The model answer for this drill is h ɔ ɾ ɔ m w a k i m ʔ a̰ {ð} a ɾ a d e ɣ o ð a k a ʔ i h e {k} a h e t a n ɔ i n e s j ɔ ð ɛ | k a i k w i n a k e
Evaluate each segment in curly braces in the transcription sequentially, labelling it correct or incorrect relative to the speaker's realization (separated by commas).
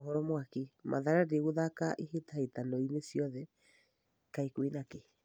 correct, incorrect